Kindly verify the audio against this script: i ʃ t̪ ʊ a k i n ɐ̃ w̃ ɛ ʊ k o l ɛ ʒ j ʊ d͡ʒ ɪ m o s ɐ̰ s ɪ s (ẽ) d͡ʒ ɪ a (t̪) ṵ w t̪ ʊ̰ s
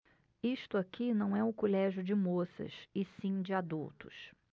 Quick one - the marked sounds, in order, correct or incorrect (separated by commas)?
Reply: incorrect, incorrect